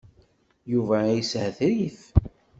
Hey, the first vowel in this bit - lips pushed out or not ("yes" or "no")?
yes